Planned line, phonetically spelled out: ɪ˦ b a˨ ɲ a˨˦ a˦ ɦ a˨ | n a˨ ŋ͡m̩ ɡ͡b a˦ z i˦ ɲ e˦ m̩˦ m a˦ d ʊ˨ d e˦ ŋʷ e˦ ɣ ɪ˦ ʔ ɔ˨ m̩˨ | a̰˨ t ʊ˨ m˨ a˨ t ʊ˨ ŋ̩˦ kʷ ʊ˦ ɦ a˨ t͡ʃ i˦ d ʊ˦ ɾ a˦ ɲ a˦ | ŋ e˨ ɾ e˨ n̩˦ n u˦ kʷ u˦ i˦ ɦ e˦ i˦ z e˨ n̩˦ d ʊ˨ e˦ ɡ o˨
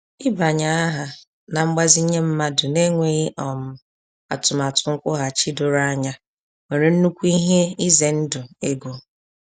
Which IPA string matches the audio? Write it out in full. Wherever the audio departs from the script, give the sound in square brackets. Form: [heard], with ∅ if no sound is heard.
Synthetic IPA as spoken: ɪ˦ b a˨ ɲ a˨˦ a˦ ɦ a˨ | n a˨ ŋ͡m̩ ɡ͡b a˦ z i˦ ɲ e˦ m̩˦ m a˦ d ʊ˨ [n] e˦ ŋʷ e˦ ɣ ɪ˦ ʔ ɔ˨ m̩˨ | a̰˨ t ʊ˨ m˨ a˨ t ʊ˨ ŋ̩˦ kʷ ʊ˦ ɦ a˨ t͡ʃ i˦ d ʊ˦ ɾ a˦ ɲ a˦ | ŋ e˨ ɾ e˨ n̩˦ n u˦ kʷ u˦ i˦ ɦ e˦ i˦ z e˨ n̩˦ d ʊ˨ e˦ ɡ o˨